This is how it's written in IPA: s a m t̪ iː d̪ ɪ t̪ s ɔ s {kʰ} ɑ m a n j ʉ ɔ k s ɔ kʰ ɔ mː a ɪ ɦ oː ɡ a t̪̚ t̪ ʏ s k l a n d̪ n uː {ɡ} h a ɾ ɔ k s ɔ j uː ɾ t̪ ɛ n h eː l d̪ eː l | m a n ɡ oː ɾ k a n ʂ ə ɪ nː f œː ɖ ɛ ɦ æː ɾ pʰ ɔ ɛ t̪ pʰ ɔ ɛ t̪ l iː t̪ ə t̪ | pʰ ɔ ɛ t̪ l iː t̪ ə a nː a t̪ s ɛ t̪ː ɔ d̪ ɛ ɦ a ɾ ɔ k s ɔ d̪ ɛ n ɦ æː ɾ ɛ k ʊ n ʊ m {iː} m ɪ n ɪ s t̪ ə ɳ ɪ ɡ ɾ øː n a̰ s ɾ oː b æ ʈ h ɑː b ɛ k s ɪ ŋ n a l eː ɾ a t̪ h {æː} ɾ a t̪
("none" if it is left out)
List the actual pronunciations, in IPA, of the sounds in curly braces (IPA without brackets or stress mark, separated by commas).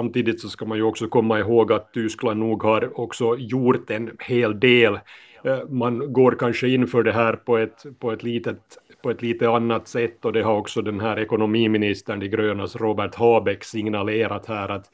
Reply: k, ɡ, iː, æː